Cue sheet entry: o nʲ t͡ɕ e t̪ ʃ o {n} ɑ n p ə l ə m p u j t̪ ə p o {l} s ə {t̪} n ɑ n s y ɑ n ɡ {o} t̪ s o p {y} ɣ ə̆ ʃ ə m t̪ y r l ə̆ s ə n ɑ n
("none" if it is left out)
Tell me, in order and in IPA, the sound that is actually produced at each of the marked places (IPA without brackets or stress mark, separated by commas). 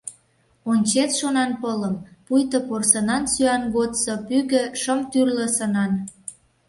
n, r, none, o, y